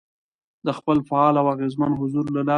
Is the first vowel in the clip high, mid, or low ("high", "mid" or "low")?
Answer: mid